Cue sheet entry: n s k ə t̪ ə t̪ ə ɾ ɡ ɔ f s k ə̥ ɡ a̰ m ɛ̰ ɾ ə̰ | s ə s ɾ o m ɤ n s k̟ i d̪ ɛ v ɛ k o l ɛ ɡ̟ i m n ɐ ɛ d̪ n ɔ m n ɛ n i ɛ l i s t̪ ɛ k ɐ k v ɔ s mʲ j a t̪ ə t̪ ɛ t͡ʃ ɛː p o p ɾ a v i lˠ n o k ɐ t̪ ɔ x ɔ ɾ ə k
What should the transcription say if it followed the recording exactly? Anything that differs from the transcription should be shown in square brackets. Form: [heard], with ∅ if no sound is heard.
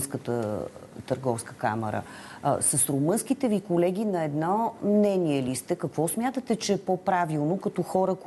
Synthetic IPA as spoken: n s k ə t̪ ə t̪ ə ɾ ɡ ɔ f s k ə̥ [k] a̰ m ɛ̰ ɾ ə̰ | s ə s ɾ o m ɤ n s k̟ i [t̪] ɛ v [i] k o l ɛ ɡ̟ i [∅] n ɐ ɛ d̪ n ɔ m n ɛ n i ɛ l i s t̪ ɛ k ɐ k v ɔ s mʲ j a t̪ ə t̪ ɛ t͡ʃ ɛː p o p ɾ a v i lˠ n o k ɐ t̪ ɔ x ɔ ɾ ə k